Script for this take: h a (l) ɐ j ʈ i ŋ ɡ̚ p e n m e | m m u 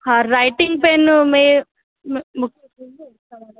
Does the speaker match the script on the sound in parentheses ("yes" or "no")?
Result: no